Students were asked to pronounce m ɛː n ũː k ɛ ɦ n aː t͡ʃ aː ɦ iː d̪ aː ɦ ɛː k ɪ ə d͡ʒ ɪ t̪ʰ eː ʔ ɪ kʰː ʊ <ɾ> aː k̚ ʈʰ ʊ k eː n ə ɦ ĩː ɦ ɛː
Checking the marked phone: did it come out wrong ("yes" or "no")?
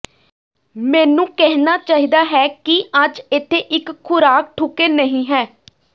no